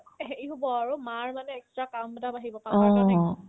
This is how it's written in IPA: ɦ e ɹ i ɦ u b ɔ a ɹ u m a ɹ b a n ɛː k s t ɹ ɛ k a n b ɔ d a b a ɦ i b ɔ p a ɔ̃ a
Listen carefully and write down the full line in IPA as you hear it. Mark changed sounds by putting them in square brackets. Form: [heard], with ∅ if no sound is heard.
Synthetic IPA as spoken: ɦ e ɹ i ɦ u b ɔ a ɹ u m a ɹ [m] a n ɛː k s t ɹ [a] k a [m] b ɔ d a b a ɦ i b ɔ p a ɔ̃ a

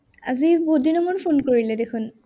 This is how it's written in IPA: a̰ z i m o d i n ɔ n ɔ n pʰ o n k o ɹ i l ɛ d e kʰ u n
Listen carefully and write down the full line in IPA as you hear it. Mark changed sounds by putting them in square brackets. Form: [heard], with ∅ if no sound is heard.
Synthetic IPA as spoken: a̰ z i [b] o d i n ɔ [m] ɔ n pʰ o n k o ɹ i l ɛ d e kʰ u n

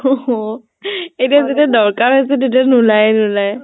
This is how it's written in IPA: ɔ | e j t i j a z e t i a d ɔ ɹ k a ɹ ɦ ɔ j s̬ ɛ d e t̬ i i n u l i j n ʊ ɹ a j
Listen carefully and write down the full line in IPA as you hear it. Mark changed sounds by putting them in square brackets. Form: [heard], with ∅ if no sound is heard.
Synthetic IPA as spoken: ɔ | e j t i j a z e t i a d ɔ ɹ k a ɹ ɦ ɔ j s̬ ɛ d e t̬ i [a] n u l [a] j n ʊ [l] a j

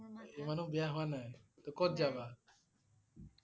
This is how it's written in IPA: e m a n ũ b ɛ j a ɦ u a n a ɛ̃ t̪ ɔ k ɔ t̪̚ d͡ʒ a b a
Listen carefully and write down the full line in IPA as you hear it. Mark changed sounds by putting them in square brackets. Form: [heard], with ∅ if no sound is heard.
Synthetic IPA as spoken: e m a n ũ b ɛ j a ɦ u a n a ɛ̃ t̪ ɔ k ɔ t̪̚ d͡ʒ a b a

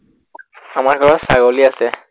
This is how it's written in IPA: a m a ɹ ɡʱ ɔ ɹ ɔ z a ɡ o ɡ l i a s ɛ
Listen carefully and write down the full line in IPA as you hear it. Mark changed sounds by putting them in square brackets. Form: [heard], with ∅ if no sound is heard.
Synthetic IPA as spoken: a m a ɹ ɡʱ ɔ ɹ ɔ [s] a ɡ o [∅] l i a s ɛ

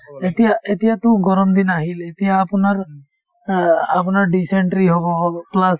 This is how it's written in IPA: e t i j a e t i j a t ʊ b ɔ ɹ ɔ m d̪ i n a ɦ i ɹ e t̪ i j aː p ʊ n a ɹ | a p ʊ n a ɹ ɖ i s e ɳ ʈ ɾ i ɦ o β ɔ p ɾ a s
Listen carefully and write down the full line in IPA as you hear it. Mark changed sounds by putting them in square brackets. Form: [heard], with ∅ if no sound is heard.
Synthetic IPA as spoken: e t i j a e t i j a t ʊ [ɡ] ɔ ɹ ɔ m d̪ i n a ɦ i [l] e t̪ i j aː p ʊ n a ɹ | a p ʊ n a ɹ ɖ i s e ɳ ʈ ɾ i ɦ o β ɔ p [l] a s

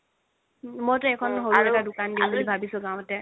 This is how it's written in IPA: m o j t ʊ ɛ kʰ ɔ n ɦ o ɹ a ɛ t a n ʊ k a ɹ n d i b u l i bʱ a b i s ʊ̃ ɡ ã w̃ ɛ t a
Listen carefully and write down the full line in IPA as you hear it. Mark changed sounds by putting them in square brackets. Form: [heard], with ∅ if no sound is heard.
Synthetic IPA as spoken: m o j t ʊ ɛ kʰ ɔ n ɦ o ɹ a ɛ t a [d] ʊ k a [∅] n d i b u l i bʱ a b i s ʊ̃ ɡ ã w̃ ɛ t [ɛ]

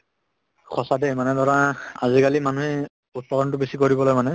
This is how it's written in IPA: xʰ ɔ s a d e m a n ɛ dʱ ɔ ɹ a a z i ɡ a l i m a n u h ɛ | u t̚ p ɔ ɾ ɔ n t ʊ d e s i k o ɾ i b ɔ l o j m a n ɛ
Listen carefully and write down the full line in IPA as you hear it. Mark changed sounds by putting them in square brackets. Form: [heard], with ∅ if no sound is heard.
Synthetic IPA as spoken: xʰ ɔ s a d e m a n ɛ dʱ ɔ ɹ a a z i [k] a l i m a n u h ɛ | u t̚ p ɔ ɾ ɔ n t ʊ [b] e s i k o [ɹ] i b ɔ l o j m a n ɛ

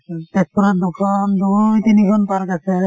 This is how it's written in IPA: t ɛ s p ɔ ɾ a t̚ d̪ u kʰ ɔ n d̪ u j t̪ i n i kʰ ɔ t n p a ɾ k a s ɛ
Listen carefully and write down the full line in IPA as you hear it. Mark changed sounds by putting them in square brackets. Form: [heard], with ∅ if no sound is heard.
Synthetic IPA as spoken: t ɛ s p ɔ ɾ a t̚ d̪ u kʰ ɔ n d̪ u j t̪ i n i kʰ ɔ [∅] n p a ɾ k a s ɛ

